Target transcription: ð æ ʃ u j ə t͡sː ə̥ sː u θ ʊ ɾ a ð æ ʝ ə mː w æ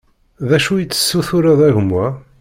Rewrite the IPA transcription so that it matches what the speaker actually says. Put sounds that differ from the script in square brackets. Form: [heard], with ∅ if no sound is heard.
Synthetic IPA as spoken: ð æ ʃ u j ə t͡sː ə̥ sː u θ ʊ ɾ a ð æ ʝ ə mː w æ